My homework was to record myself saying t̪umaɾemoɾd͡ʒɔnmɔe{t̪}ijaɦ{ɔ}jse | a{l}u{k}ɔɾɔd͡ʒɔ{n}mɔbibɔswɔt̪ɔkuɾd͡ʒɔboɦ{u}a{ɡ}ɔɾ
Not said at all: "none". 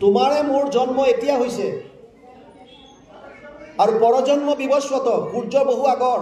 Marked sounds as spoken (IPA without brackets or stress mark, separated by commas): t̪, o, ɾ, p, n, u, ɡ